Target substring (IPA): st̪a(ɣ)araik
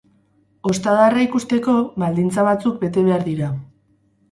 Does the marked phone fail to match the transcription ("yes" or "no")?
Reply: yes